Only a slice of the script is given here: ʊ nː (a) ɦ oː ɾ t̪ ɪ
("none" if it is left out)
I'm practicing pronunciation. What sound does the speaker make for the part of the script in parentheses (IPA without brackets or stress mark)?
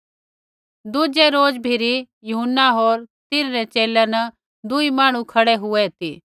a